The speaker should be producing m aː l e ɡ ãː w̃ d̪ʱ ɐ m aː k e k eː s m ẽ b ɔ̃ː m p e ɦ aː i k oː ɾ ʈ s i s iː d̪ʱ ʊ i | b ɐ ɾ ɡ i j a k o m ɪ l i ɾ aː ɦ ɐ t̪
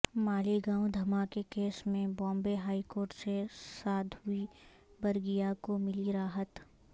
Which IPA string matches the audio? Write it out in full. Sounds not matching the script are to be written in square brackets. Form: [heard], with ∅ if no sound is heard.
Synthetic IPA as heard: m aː l [i] ɡ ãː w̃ d̪ʱ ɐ m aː k e k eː s m ẽ b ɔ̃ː m [b] e ɦ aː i k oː ɾ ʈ s [e] s [aː] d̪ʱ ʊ i | b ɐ ɾ ɡ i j a k o m ɪ l i ɾ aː ɦ [ə] t̪